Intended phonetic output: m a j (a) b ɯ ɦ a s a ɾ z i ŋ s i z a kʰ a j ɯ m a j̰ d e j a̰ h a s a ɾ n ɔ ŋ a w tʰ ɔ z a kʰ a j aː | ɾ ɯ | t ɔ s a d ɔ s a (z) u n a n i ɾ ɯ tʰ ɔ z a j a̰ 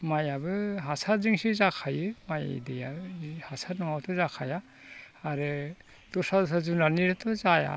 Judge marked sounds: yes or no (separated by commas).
yes, yes